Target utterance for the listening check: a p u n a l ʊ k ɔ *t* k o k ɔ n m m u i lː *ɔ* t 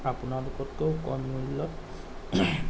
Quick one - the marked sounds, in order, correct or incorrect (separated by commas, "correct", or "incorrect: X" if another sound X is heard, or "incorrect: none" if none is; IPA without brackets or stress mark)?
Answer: correct, correct